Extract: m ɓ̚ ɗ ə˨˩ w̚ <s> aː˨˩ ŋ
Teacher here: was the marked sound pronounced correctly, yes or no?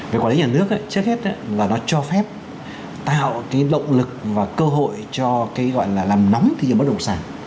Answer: yes